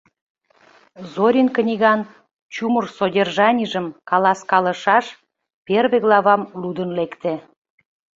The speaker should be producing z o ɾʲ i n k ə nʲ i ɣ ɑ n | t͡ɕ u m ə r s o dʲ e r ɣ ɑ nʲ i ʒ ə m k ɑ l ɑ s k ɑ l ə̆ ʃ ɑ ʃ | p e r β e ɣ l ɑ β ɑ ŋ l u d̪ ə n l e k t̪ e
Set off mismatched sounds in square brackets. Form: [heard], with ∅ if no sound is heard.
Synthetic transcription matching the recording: z o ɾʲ i n k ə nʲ i ɣ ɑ n | t͡ɕ u m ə r s o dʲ e r [ʒ] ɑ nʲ i ʒ ə m k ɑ l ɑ s k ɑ l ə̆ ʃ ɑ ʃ | p e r β e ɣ l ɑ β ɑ [m] l u d̪ ə n l e k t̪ e